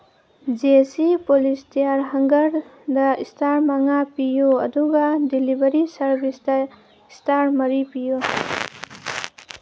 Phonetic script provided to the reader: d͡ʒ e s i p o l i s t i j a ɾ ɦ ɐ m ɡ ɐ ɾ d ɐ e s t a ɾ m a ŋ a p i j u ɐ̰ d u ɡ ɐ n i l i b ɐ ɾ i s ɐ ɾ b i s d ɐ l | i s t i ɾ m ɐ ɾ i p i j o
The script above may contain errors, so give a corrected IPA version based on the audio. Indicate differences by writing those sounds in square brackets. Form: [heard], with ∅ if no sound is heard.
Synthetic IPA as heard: d͡ʒ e s i p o l i s t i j a ɾ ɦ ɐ [ŋ] ɡ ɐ ɾ d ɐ [i] s t a ɾ m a ŋ a p i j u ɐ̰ d u ɡ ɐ [d] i l i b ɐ ɾ i s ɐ ɾ b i s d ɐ [∅] | i s t [a] ɾ m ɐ ɾ i p i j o